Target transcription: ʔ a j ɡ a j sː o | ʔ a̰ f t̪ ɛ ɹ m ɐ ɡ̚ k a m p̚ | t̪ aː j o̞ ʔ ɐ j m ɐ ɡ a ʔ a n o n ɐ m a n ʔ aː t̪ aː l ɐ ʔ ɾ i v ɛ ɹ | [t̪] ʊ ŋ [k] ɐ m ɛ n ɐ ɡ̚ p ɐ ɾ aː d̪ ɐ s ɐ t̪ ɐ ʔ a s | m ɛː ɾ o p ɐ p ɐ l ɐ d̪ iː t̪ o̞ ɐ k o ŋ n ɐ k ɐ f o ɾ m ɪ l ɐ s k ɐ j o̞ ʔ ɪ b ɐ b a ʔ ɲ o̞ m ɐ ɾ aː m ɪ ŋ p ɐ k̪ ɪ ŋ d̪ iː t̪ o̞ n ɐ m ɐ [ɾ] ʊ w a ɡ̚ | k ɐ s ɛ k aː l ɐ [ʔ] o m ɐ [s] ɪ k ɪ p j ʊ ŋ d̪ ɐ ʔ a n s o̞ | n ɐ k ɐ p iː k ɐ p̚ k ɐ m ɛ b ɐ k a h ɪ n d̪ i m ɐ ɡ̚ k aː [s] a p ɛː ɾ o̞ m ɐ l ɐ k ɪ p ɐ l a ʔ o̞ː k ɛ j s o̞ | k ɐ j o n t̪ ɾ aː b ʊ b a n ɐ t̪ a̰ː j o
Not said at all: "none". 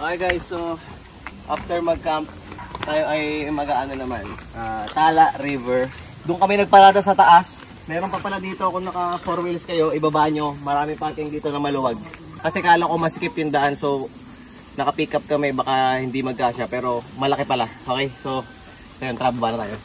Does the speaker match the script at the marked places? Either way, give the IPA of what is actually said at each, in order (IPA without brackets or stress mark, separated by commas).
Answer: d̪, k, l, k, s, ʃ